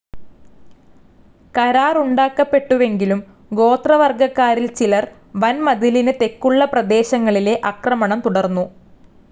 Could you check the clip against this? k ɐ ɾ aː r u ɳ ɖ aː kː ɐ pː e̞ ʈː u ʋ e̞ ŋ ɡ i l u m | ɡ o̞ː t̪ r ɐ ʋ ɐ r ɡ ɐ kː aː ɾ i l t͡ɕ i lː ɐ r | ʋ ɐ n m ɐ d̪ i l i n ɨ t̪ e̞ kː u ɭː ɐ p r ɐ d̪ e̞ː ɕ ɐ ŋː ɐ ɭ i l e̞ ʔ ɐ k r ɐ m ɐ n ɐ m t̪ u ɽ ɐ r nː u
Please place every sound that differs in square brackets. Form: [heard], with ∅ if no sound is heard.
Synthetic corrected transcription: k ɐ ɾ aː r u ɳ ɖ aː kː ɐ pː e̞ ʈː u ʋ e̞ ŋ ɡ i l u m | ɡ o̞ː t̪ r ɐ ʋ ɐ r ɡ ɐ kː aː ɾ i l t͡ɕ i [l] ɐ r | ʋ ɐ n m ɐ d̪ i l i n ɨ t̪ e̞ kː u ɭː ɐ p r ɐ d̪ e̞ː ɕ ɐ ŋː ɐ ɭ i l e̞ ʔ ɐ k r ɐ m ɐ [ɳ] ɐ m t̪ u ɽ ɐ r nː u

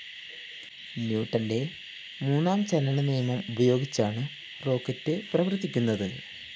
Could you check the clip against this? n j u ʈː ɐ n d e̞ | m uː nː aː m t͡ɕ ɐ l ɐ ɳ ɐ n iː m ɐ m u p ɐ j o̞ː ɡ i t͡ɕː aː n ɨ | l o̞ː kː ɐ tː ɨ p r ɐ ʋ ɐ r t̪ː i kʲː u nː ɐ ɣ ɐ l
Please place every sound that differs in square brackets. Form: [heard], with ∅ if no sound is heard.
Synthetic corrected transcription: n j [uː] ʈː ɐ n d e̞ | m uː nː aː m t͡ɕ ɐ l ɐ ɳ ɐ n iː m ɐ m u [b] ɐ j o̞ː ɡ i t͡ɕː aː [ɳ] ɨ | [r] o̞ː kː ɐ tː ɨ p r ɐ ʋ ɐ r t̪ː i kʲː u nː ɐ [ð] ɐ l

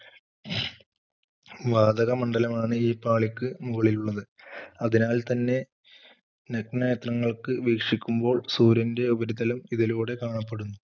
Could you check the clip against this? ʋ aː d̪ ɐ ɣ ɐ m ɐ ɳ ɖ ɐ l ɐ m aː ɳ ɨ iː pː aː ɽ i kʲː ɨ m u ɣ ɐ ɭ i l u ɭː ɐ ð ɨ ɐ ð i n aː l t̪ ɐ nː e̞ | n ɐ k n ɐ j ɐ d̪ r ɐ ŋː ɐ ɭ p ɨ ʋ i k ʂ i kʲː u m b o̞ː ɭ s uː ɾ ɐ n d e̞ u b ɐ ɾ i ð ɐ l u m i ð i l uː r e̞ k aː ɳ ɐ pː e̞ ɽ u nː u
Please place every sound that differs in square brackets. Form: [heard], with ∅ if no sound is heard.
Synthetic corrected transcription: ʋ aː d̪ ɐ ɣ ɐ m ɐ ɳ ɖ ɐ l ɐ m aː ɳ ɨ iː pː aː [ɭ] i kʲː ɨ m u ɣ ɐ ɭ i l u ɭː ɐ ð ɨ ɐ ð i n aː l t̪ ɐ nː e̞ | n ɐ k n ɐ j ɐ [t̪] r ɐ ŋː ɐ ɭ [k] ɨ ʋ [iː] k ʂ i kʲː u m b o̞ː ɭ s uː ɾ ɐ n d e̞ u b ɐ ɾ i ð ɐ l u m i ð i l uː [ɽ] e̞ k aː ɳ ɐ pː e̞ ɽ u nː u

